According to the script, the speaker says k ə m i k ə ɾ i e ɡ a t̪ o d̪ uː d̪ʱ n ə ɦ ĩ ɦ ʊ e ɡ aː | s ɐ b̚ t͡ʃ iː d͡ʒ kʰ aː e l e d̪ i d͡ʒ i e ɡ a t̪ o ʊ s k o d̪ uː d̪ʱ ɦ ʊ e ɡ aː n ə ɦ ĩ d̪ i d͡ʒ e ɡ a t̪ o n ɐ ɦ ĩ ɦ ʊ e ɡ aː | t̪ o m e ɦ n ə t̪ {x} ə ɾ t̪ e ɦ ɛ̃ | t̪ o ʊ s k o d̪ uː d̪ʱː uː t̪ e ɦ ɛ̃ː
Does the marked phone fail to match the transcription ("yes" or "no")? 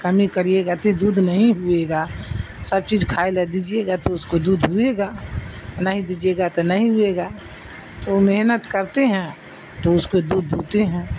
yes